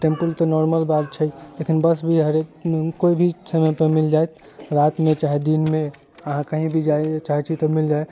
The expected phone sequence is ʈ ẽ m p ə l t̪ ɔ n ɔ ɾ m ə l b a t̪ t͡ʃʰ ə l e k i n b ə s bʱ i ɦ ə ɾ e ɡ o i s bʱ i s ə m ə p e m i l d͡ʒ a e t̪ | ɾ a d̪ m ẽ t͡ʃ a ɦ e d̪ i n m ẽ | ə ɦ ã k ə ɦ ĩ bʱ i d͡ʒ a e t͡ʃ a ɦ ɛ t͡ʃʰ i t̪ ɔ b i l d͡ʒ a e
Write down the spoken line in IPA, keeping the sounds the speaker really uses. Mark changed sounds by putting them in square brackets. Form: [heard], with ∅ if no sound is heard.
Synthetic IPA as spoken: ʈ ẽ m p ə l t̪ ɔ n ɔ ɾ m ə l b a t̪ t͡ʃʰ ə l e k i n b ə s bʱ i ɦ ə ɾ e [k] o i [∅] bʱ i s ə m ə p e m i l d͡ʒ a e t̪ | ɾ a [t̪] m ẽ t͡ʃ a ɦ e d̪ i n m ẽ | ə ɦ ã k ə ɦ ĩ bʱ i d͡ʒ a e t͡ʃ a ɦ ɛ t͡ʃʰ i t̪ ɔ [m] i l d͡ʒ a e